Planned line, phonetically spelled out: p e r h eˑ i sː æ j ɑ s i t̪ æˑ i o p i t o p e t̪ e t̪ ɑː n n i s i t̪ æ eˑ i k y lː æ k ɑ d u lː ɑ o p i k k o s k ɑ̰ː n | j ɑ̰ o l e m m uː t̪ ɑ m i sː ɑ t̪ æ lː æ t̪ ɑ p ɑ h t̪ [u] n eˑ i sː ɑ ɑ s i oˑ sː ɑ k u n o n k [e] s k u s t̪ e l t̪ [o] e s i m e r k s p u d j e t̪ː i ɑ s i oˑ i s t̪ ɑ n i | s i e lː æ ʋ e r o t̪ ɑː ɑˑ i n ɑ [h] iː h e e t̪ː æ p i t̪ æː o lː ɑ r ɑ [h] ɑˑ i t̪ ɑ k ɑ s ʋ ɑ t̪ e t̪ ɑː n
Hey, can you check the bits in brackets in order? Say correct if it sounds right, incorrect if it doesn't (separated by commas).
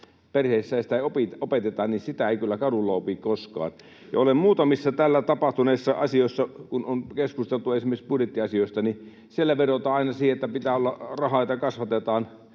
correct, correct, incorrect, incorrect, correct